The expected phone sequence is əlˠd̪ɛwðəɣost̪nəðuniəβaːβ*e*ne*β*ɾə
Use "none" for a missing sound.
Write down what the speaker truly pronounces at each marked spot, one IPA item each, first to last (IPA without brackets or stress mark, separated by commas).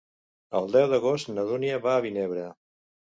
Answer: i, β